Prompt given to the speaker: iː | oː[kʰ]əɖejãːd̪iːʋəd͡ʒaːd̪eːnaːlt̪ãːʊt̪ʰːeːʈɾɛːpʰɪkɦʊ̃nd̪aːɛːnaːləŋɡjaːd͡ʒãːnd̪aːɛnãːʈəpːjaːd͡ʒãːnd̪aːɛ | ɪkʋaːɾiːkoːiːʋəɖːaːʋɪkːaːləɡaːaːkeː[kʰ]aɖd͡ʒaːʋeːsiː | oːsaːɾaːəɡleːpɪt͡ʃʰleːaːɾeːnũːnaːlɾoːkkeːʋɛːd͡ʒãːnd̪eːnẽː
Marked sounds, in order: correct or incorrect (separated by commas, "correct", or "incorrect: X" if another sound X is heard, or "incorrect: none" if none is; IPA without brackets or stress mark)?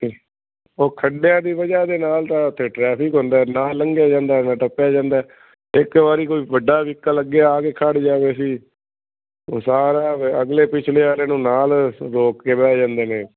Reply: correct, correct